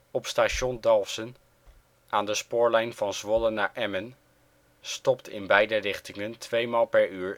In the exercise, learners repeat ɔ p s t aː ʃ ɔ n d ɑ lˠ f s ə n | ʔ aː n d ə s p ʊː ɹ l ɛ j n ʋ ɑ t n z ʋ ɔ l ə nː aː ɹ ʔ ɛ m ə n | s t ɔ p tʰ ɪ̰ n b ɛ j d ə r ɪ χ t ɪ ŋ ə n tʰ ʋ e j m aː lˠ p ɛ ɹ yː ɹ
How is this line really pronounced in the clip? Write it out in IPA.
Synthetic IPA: ɔ p s t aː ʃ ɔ n d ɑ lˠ f s ə n | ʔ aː n d ə s p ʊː ɹ l ɛ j n v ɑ n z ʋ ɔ l ə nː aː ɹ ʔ ɛ m ə n | s t ɔ p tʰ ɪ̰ n b ɛ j d ə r ɪ χ t ɪ ŋ ə n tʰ ʋ e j m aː lˠ p ɛ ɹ yː ɹ